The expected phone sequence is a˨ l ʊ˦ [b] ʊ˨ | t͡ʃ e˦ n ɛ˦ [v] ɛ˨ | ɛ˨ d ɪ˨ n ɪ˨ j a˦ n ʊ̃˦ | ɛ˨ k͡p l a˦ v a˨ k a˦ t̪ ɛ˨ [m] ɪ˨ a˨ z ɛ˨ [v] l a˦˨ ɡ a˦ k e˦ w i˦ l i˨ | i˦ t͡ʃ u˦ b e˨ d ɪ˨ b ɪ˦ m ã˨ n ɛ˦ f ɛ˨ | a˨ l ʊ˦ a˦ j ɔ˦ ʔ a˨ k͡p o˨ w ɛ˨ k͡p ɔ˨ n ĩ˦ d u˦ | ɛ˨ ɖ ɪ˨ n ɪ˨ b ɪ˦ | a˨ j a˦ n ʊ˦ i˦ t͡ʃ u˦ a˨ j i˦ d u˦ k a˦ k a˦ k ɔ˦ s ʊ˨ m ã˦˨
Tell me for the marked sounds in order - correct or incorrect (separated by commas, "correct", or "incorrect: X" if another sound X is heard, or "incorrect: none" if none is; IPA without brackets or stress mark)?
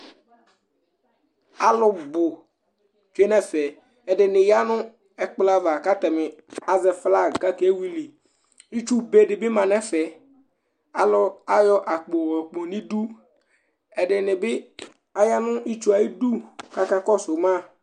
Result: correct, incorrect: f, correct, incorrect: f